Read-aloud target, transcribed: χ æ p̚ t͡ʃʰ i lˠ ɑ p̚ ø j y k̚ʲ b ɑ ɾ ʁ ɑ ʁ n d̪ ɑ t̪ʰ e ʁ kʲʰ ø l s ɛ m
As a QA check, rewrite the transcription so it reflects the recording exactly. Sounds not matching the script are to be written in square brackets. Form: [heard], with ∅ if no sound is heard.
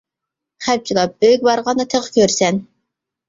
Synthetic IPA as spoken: χ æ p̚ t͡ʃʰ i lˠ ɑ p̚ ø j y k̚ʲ b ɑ ɾ ʁ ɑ [∅] n d̪ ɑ t̪ʰ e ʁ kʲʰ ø [ɾ] s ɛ [n]